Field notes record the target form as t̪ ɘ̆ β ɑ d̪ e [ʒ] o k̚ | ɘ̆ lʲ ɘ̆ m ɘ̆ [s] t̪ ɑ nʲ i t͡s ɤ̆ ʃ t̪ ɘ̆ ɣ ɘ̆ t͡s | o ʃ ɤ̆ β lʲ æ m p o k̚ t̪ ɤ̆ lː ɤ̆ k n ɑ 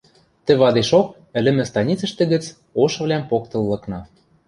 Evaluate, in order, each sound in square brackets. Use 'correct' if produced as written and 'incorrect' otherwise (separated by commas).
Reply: incorrect, correct